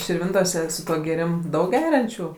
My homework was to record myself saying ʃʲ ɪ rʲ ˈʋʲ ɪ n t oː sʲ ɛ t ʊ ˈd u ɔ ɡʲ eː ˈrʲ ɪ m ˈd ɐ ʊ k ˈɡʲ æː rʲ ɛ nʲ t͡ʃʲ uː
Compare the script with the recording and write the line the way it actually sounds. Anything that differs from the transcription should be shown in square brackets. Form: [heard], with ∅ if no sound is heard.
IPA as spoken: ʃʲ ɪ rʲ ˈʋʲ ɪ n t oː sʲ ɛ [s] ʊ [ˈt] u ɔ ɡʲ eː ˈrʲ ɪ m ˈd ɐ ʊ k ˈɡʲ æː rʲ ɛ nʲ t͡ʃʲ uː

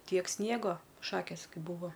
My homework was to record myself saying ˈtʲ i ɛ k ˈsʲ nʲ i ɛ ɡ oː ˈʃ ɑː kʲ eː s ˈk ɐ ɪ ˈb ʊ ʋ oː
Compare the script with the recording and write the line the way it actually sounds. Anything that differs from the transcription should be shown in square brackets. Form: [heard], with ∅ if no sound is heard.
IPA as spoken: ˈtʲ i ɛ k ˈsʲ nʲ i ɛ ɡ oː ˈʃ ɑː kʲ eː s ˈk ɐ ɪ ˈb ʊ ʋ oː

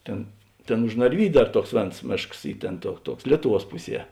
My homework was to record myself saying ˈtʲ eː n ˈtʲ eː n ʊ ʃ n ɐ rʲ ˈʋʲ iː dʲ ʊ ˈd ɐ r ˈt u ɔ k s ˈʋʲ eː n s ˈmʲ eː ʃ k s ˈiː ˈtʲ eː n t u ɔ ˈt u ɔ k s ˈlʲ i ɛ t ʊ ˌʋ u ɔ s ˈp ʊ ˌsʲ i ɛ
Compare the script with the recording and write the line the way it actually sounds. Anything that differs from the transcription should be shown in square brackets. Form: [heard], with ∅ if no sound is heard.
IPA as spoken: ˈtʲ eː n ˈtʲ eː n ʊ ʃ n ɐ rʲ ˈʋʲ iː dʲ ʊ ˈd ɐ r ˈt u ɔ k s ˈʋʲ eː n s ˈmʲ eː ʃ k s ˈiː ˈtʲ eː n t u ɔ ˈt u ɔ k s ˈlʲ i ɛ t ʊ ˌʋ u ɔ s ˈp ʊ ˌsʲ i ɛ

